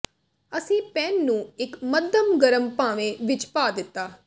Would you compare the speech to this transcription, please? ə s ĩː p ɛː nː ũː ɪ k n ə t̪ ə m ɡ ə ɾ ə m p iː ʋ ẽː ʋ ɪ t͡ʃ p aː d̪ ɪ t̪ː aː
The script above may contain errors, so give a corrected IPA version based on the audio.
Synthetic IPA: ə s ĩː p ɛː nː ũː ɪ k m ə d̪ ə m ɡ ə ɾ ə m p aː ʋ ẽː ʋ ɪ t͡ʃ p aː d̪ ɪ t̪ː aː